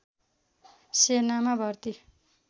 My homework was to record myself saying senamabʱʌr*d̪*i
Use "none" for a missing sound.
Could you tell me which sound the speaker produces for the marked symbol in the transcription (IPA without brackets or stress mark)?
t̪